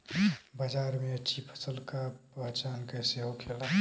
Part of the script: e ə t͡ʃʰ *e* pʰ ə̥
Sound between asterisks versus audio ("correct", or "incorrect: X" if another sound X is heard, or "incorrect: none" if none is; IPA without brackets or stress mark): incorrect: i